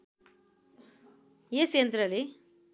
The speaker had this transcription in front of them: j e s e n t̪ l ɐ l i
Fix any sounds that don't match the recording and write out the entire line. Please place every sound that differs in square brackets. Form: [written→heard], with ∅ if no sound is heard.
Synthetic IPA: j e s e n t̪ [l→ɾ] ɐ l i